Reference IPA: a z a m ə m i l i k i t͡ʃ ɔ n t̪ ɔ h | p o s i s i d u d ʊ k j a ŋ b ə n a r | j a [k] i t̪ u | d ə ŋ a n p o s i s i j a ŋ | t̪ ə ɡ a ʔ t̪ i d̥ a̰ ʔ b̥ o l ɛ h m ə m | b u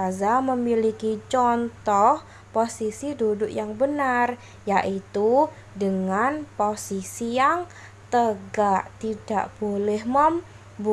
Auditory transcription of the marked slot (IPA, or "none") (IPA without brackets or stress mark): ʔ